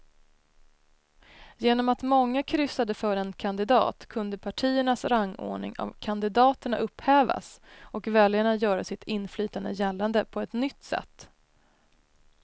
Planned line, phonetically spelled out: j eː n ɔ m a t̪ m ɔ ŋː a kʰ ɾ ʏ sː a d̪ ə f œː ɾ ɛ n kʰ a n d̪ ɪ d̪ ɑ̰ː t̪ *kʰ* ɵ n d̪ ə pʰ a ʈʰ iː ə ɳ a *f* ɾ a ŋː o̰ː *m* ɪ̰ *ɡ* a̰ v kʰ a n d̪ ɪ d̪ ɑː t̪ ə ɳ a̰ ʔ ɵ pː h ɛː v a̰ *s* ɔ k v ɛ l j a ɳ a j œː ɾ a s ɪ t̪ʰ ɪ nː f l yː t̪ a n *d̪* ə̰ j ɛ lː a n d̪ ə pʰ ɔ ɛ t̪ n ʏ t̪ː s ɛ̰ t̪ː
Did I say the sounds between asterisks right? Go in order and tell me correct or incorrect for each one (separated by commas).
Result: correct, incorrect, incorrect, incorrect, correct, correct